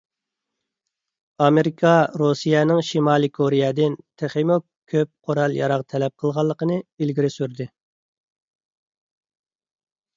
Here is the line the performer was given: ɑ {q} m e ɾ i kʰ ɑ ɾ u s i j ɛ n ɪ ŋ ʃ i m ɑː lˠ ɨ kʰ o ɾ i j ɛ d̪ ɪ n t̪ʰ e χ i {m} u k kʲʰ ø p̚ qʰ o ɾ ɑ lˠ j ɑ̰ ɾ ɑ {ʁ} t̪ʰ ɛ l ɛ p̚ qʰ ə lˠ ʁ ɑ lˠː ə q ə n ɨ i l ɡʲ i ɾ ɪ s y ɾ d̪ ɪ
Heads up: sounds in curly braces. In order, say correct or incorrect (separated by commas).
incorrect, correct, correct